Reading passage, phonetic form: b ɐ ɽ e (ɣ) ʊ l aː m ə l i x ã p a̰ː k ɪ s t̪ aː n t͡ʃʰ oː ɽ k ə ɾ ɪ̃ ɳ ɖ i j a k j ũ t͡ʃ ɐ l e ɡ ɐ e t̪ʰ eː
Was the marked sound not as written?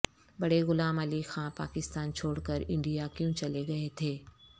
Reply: no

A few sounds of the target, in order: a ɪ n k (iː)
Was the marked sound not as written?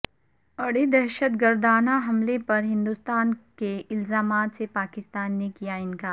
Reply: yes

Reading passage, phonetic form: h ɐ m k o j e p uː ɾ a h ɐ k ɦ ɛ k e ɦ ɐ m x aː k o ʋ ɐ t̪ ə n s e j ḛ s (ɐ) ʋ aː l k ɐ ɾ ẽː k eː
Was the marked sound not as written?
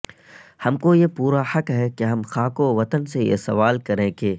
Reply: no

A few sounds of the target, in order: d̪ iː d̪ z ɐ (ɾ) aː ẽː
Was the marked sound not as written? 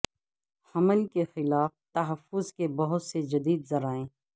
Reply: no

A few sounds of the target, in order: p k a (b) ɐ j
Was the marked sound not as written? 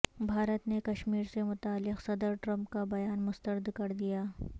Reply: no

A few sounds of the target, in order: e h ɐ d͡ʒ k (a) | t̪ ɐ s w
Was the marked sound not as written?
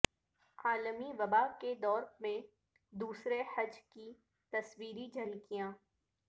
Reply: yes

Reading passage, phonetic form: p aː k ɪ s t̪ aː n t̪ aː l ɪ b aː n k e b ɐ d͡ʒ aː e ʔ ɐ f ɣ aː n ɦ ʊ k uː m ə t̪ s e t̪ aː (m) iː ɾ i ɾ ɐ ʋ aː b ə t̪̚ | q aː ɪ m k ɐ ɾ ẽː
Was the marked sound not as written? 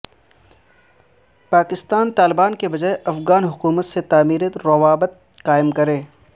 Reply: no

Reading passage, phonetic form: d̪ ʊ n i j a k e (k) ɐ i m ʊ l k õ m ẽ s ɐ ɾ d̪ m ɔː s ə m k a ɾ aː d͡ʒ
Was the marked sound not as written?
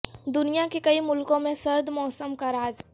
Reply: no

